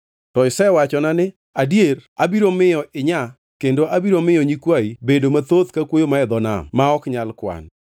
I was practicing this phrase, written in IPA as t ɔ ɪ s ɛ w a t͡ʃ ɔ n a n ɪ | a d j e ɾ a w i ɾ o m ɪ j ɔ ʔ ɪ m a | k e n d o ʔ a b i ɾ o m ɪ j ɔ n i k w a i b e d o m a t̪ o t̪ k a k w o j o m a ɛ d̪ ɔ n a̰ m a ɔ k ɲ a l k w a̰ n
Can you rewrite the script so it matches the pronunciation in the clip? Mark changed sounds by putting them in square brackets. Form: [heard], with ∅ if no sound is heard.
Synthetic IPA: t ɔ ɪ s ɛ w a t͡ʃ ɔ n a n ɪ | a d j e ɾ a [b] i ɾ o m ɪ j ɔ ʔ ɪ [ɲ] a | k e n d o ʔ a b i ɾ o m ɪ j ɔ [ɲ] i k w a i b e d o m a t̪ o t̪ k a k w o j o m a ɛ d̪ ɔ n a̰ m a ɔ k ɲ a l k w a̰ n